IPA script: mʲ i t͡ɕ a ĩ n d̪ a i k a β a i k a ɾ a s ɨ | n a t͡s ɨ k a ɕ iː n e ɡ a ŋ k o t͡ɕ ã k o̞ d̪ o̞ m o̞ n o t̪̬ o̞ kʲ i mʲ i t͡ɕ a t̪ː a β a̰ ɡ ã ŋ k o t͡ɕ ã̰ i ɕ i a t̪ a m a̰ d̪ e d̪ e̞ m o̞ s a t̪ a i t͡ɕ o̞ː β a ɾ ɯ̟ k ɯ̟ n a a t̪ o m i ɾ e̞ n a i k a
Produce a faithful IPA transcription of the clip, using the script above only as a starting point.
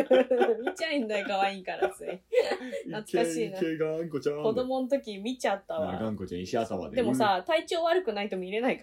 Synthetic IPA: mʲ i t͡ɕ a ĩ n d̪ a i k a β a i k a ɾ a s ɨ | n a t͡s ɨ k a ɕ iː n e ɡ a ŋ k o t͡ɕ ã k o̞ d̪ o̞ m o̞ n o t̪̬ o̞ kʲ i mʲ i t͡ɕ a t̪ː a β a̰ ɡ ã ŋ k o t͡ɕ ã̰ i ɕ i a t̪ a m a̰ d̪ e d̪ e̞ m o̞ s a t̪ a i t͡ɕ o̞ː β a ɾ ɯ̟ k ɯ̟ n a i t̪ o m i ɾ e̞ n a i k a